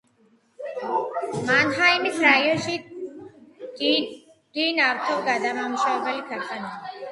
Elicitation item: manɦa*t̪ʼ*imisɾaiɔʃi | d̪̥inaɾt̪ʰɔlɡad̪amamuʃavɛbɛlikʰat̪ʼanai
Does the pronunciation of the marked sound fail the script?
yes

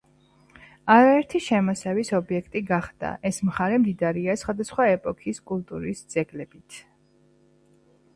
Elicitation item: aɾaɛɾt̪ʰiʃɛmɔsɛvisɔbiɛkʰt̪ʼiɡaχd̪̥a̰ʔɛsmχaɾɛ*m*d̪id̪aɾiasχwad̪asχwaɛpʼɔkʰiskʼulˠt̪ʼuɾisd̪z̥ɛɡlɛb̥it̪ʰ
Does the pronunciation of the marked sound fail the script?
no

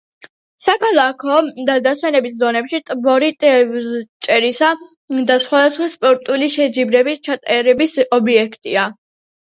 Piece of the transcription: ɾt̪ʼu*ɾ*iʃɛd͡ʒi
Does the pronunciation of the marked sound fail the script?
yes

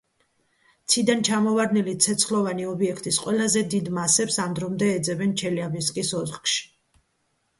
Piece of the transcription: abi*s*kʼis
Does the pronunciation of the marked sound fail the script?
no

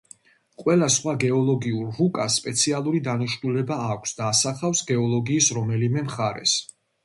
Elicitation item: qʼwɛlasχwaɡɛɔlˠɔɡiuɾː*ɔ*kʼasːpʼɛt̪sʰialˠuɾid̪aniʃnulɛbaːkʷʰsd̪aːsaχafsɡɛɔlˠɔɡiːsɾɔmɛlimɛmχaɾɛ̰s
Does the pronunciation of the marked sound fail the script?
yes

